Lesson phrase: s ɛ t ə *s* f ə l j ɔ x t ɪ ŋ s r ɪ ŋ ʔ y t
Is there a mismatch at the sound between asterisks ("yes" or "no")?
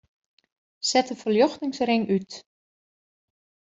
yes